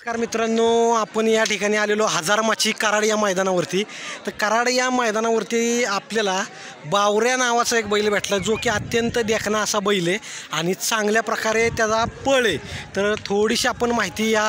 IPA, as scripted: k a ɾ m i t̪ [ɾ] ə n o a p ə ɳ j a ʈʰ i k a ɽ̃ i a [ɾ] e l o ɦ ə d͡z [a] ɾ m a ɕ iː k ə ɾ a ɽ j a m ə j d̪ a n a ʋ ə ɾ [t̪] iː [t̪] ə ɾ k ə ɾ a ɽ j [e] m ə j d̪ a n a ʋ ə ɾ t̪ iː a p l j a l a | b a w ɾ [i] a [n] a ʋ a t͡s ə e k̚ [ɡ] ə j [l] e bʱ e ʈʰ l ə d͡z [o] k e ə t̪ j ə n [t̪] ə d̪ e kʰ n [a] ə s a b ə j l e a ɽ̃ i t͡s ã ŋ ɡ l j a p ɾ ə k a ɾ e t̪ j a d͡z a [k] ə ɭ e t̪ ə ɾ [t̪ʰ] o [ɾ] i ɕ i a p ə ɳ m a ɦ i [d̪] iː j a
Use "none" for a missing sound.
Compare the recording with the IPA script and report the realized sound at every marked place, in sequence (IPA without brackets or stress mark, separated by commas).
ɾ, l, a, t̪, t̪, a, j, n, b, l, o, t̪, a, p, t̪ʰ, ɽ, t̪